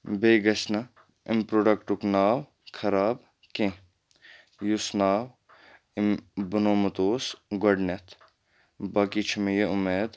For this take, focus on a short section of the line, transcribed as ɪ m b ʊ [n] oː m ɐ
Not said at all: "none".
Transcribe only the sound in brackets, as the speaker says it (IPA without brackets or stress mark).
n